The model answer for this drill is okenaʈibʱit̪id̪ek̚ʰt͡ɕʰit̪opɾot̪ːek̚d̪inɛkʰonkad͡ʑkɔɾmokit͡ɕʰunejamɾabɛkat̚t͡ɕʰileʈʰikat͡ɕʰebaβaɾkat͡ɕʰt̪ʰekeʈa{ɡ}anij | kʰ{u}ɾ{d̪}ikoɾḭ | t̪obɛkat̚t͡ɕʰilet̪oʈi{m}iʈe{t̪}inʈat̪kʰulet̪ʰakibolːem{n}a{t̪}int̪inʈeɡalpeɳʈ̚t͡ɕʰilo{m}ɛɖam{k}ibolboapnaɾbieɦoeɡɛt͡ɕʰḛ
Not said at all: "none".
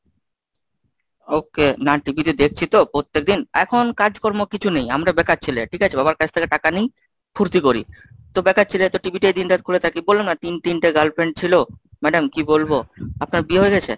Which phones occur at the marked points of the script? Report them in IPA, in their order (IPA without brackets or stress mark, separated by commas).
k, u, t̪, b, d̪, n, t̪, m, k